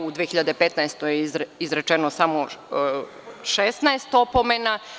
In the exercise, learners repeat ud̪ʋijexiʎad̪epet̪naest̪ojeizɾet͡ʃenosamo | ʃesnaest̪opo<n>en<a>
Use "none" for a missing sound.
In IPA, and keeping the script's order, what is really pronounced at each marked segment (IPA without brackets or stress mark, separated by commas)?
m, a